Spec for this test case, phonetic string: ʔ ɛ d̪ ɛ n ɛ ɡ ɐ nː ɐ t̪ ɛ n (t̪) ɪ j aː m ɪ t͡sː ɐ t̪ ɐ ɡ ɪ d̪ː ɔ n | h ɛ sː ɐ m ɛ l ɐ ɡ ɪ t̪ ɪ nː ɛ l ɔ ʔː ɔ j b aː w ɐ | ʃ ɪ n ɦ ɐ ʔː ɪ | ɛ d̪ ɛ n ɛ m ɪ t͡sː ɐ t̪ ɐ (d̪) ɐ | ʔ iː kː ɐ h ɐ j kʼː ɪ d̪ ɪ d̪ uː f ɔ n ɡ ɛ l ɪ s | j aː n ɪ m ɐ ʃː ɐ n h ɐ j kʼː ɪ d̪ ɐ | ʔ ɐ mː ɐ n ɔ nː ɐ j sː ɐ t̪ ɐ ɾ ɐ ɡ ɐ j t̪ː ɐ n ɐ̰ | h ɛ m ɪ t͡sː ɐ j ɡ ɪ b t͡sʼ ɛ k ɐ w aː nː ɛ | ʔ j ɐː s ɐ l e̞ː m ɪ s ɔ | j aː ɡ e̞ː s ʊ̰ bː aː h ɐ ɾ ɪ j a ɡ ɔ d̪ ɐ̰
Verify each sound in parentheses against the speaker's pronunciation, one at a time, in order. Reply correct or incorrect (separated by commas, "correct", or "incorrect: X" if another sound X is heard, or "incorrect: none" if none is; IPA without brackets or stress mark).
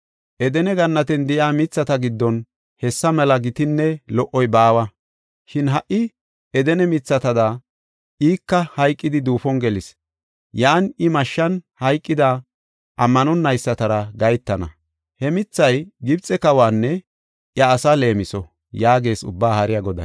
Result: incorrect: d̪, correct